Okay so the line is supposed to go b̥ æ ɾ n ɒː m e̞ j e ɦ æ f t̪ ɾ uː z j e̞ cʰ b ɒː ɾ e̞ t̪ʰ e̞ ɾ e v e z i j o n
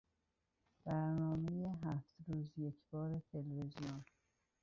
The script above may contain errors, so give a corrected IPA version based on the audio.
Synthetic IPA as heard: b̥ æ ɾ n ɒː m e̞ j e ɦ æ f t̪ ɾ uː z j e̞ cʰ b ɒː ɾ e̞ t̪ʰ e̞ l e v e z i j o n